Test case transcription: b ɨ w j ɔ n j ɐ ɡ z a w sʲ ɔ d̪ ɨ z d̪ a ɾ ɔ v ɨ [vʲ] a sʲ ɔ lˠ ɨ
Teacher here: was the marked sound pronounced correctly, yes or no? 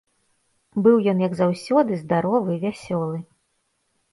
yes